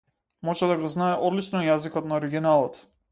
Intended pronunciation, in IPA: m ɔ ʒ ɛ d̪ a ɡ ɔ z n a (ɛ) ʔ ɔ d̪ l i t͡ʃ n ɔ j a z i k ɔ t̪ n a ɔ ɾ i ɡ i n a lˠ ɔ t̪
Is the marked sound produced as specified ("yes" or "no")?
yes